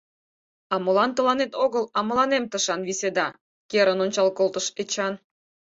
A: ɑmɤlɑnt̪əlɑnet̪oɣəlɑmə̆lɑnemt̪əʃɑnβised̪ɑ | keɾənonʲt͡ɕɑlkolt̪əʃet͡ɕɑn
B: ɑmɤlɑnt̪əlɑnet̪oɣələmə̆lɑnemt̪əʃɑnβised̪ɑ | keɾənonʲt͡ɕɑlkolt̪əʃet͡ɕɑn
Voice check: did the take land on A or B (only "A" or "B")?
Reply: A